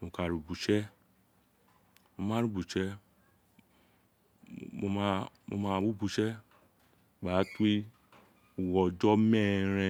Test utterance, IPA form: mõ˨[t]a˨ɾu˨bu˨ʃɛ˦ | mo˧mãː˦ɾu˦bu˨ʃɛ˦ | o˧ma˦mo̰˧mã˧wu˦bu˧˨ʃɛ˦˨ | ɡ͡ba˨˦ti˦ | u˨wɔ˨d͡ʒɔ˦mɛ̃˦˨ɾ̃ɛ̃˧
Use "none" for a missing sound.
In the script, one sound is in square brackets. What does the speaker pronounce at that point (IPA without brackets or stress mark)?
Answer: k